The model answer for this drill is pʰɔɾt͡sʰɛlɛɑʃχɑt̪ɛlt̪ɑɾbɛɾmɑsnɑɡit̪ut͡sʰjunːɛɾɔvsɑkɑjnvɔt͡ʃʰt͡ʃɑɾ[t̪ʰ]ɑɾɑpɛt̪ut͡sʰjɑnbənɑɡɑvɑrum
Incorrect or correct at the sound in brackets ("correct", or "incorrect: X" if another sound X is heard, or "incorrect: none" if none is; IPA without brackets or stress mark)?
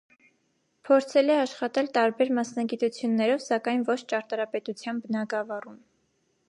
incorrect: t̪